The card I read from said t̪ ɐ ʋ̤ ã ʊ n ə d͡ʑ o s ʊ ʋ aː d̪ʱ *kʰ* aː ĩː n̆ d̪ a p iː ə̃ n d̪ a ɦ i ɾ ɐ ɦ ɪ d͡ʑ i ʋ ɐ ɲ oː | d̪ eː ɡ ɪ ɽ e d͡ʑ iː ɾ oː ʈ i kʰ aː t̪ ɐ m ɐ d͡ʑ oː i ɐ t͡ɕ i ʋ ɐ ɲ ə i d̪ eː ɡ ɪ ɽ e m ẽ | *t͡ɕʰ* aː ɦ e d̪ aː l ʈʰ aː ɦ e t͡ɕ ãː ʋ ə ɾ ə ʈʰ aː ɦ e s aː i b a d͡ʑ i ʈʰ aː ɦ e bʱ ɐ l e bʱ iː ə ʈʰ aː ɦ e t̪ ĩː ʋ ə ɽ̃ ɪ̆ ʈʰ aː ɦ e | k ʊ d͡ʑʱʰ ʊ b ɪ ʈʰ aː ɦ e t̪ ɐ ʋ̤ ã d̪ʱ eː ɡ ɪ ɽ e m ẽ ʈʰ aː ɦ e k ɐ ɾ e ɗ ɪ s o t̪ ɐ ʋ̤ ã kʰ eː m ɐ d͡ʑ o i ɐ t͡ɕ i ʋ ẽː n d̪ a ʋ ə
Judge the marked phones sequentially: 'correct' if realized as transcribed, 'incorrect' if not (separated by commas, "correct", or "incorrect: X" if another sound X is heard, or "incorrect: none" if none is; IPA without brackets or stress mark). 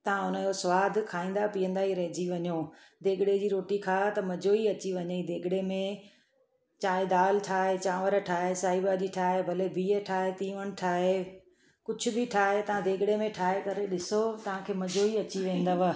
correct, incorrect: t͡ɕ